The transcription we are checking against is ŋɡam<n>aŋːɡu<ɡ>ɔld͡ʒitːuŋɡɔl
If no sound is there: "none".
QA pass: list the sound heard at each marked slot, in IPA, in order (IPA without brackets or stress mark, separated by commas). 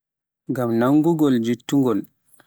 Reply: n, ɡ